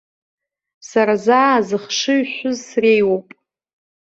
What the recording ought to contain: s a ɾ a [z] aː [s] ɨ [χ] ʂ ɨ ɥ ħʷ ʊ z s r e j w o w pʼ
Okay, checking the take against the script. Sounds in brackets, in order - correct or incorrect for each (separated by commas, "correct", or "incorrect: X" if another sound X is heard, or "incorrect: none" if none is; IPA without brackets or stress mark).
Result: correct, incorrect: z, correct